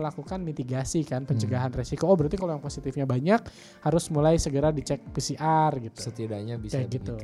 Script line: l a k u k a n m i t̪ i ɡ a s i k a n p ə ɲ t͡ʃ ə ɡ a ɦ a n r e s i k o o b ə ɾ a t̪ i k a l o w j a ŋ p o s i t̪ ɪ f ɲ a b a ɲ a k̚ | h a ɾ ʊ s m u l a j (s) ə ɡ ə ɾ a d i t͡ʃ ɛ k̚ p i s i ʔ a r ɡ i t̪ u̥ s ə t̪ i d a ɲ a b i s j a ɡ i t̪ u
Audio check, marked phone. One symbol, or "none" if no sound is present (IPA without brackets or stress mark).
s